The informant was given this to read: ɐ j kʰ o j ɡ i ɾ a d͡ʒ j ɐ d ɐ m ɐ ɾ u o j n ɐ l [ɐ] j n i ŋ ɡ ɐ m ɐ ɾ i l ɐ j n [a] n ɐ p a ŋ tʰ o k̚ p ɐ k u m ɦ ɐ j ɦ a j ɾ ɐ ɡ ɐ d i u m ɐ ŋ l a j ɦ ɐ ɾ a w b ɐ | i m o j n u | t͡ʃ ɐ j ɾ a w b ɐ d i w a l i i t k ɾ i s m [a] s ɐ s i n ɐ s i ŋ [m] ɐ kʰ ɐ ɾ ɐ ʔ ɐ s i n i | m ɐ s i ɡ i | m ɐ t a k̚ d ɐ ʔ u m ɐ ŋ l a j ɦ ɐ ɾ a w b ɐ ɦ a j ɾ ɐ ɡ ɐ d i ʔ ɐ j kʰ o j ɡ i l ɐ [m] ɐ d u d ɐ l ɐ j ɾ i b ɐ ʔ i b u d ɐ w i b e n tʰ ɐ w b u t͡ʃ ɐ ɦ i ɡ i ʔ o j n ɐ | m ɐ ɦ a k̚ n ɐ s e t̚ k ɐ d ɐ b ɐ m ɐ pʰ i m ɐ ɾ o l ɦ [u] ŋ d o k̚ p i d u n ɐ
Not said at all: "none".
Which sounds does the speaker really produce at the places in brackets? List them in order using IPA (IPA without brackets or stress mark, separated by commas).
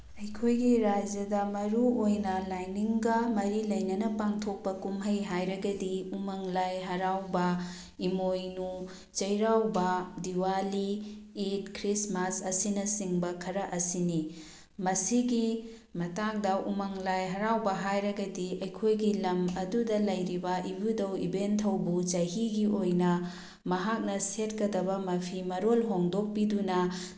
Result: a, ɐ, a, b, m, o